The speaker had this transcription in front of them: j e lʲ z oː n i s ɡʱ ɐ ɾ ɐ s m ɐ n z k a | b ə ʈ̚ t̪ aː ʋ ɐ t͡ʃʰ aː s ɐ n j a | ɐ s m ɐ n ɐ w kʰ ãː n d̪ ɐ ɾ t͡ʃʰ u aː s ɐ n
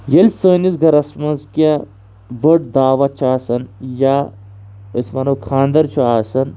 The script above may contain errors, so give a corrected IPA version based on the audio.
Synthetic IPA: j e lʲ s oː n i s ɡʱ ɐ ɾ ɐ s m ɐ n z k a | b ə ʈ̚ d̪ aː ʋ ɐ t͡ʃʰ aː s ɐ n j a | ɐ s m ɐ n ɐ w kʰ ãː n d̪ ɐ ɾ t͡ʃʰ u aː s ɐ n